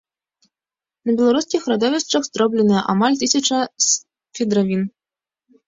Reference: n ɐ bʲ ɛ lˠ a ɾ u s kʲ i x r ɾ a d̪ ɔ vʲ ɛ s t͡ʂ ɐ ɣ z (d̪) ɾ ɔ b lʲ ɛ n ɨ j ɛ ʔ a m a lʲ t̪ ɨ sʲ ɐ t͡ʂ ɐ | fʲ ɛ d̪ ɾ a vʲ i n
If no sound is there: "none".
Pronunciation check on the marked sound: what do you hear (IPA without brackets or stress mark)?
d̪